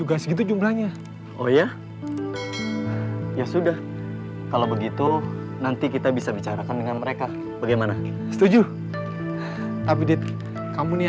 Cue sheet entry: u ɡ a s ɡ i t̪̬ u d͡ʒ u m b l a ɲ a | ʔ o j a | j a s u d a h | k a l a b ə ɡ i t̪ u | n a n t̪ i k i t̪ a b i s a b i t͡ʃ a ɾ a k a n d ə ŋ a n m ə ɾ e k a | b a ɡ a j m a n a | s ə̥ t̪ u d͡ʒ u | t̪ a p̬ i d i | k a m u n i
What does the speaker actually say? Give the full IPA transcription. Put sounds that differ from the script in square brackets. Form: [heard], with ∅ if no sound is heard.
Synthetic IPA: u ɡ a s ɡ i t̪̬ u d͡ʒ u m b l a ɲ a | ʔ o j a | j a s u d a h | k a l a b ə ɡ i t̪ u | n a n t̪ i k i t̪ a b i s a b i t͡ʃ a ɾ a k a n d ə ŋ a n m ə ɾ e k a | b a ɡ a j m a n a | s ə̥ t̪ u d͡ʒ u | t̪ a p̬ i d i | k a m u n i